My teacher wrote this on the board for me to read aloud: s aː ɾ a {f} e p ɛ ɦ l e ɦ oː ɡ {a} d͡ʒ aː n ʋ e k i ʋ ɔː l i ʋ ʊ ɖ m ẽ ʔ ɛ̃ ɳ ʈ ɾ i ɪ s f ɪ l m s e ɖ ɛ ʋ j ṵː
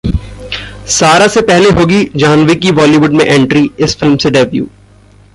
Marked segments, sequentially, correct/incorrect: incorrect: s, incorrect: i

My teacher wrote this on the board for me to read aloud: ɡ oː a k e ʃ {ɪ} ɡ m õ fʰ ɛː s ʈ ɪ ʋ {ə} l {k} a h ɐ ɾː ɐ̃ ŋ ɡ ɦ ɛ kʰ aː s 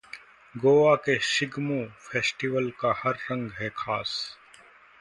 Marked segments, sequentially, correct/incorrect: correct, correct, correct

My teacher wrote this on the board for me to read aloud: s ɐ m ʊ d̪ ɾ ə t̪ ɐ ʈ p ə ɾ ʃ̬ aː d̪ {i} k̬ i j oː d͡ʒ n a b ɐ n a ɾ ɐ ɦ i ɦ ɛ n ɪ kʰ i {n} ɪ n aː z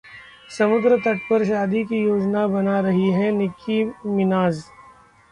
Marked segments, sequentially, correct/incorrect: correct, incorrect: m

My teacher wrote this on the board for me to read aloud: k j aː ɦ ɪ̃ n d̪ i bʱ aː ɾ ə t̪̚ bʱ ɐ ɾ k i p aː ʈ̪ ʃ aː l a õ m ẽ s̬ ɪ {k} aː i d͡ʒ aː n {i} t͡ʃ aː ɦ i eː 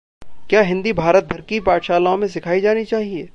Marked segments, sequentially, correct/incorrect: incorrect: kʰ, correct

